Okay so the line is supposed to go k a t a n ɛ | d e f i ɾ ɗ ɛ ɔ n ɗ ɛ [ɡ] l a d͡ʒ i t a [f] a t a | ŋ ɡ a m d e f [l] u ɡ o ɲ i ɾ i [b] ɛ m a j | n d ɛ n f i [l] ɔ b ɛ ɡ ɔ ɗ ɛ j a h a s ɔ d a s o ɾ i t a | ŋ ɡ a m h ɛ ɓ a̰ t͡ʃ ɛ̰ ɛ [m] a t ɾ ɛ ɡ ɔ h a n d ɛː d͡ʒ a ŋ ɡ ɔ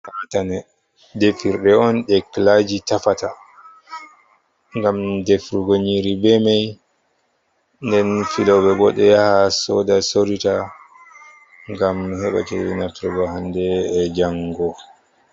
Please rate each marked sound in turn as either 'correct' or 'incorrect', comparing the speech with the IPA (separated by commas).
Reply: incorrect, correct, incorrect, correct, correct, incorrect